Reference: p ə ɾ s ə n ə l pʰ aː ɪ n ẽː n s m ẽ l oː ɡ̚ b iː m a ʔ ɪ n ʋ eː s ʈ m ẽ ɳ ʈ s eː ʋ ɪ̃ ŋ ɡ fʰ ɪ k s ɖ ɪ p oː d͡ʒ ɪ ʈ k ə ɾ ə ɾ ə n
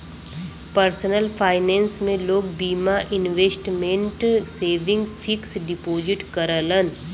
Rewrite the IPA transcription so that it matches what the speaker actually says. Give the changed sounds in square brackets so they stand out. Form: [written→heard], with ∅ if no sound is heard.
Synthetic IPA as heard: p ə ɾ s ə n ə l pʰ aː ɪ n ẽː n s m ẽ l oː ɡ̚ b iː m a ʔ ɪ n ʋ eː s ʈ m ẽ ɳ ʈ s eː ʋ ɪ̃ ŋ ɡ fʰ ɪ k s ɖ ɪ p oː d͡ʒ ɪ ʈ k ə ɾ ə [ɾ→l] ə n